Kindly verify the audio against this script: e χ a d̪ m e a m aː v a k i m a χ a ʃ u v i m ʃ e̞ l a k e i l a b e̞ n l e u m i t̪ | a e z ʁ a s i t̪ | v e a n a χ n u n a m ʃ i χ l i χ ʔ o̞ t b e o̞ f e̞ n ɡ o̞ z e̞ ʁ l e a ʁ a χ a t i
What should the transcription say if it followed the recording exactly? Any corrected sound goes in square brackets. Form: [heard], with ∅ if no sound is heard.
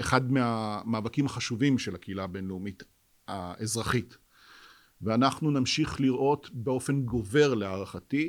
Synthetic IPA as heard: e χ a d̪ m e a m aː v a k i m a χ a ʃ u v i m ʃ e̞ l a k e i l a b e̞ n l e u m i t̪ | a e z ʁ a [χ] i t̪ | v e a n a χ n u n a m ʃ i χ l i [ʁ] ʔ o̞ t b e o̞ f e̞ n ɡ o̞ [v] e̞ ʁ l e a ʁ a χ a t i